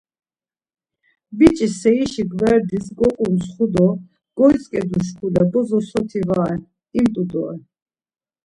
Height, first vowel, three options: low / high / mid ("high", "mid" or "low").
high